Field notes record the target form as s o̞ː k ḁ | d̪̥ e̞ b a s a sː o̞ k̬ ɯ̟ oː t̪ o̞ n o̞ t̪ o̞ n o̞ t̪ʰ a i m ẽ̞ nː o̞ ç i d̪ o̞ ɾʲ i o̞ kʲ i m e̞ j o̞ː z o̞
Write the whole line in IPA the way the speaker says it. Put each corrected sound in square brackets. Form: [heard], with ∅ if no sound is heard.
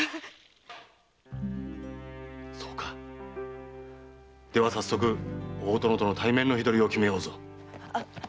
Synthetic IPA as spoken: s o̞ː k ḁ | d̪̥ e̞ [β] a s a sː o̞ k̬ ɯ̟ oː t̪ o̞ n o̞ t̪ o̞ n o̞ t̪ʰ a i m ẽ̞ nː o̞ ç i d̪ o̞ ɾʲ i o̞ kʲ i m e̞ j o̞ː z o̞